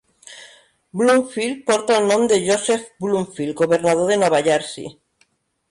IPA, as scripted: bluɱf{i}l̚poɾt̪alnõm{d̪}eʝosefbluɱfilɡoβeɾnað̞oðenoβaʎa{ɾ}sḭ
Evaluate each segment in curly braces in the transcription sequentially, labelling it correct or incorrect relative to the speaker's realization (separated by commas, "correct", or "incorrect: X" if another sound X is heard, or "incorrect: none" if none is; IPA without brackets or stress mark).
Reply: correct, correct, correct